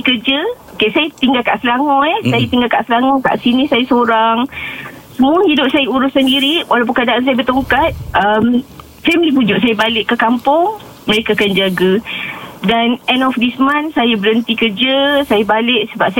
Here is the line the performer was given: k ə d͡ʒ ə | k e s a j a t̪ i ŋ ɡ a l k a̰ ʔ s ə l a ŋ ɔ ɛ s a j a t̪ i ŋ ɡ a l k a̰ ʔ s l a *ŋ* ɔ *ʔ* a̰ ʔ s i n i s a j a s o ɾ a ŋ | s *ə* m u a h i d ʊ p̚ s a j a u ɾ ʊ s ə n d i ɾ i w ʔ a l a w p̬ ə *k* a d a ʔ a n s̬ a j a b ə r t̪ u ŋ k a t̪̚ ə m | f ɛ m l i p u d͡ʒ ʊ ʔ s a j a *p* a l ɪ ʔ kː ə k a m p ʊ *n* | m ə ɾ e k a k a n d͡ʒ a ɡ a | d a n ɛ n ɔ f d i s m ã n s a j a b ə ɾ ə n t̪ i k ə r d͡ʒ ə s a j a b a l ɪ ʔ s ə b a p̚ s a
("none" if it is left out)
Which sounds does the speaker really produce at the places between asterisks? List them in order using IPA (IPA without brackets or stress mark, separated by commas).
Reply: ŋ, k, ə, k, b, ŋ